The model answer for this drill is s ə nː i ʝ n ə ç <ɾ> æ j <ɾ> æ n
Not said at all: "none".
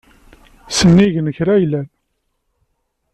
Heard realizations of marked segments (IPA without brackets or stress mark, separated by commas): ɾ, l